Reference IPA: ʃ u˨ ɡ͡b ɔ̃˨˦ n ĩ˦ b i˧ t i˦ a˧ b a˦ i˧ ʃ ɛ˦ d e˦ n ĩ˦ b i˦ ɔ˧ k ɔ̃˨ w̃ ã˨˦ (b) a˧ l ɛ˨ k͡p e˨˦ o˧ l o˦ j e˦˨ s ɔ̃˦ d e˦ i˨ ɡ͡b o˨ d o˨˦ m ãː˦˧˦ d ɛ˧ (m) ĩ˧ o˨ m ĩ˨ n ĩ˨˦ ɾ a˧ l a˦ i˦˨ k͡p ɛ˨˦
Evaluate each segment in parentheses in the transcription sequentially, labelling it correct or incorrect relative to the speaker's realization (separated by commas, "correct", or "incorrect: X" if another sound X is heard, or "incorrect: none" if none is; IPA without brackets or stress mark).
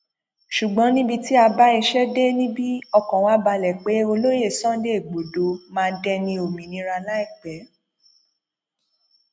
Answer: correct, incorrect: n